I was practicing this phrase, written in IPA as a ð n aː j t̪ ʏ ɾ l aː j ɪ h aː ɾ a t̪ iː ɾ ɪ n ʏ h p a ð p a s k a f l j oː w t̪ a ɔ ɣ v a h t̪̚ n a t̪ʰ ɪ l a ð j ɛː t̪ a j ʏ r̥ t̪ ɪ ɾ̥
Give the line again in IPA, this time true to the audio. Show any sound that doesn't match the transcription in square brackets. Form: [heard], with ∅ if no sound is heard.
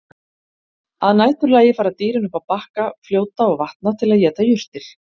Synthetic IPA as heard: a ð n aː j t̪ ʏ ɾ l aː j ɪ [f] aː ɾ a t̪ iː ɾ ɪ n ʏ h p a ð p a [h] k a f l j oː w t̪ a ɔ ɣ v a h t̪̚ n a t̪ʰ ɪ l a ð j ɛː t̪ a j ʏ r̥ t̪ ɪ ɾ̥